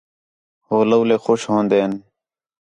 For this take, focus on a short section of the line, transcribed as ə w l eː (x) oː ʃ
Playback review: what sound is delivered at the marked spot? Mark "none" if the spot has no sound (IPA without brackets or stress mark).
x